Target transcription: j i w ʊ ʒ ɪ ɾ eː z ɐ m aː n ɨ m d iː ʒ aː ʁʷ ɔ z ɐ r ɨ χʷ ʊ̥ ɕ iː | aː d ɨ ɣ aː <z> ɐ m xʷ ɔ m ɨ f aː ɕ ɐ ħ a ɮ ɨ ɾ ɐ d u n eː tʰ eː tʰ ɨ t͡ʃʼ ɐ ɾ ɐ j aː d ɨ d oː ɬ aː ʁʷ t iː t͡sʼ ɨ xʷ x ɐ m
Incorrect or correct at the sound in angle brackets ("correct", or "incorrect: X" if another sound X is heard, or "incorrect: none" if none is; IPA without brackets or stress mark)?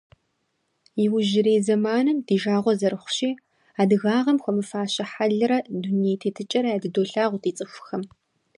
incorrect: ʁ